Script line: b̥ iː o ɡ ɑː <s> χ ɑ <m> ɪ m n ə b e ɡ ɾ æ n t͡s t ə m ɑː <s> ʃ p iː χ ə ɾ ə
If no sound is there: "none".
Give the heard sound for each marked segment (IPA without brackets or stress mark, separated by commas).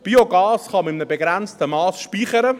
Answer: s, m, s